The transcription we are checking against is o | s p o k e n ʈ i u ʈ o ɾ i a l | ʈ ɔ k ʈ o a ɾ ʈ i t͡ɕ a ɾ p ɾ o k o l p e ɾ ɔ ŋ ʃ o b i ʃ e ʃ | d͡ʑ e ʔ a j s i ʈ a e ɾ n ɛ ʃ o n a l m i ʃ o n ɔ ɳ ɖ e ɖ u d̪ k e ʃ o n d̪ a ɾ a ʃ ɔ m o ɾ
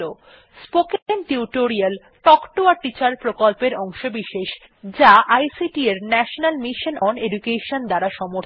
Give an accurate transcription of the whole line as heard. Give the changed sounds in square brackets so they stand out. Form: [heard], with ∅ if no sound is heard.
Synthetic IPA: o | s p o k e n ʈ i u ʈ o ɾ i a l | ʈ ɔ k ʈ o a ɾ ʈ i t͡ɕ a ɾ p ɾ o k o l p e ɾ ɔ ŋ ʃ o b i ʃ e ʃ | d͡ʑ [a] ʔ a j s i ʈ [i] e ɾ n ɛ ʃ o n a l m i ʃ o n ɔ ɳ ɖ e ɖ u [∅] k e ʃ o n d̪ a ɾ a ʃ ɔ m o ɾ